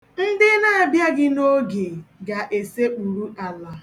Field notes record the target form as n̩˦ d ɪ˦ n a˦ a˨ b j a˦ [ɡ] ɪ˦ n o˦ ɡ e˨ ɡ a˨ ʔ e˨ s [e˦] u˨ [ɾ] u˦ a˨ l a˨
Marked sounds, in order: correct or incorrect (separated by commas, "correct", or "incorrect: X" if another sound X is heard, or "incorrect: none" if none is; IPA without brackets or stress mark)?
correct, correct, correct